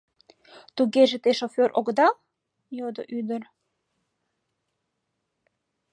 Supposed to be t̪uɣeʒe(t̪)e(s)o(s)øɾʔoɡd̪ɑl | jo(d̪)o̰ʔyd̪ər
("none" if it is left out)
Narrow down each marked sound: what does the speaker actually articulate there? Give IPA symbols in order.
t̪, ʃ, f, d̪

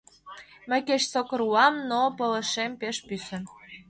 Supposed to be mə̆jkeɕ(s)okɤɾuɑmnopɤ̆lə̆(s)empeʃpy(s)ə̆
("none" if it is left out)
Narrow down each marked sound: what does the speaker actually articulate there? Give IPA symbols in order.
s, ʃ, s

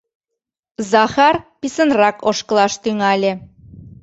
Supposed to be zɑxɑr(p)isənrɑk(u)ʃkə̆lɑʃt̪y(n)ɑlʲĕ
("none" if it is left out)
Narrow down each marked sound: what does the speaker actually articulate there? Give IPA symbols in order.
p, o, ŋ

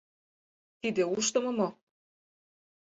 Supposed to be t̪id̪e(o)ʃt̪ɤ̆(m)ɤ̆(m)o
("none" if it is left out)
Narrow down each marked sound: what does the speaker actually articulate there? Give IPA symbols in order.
u, m, m

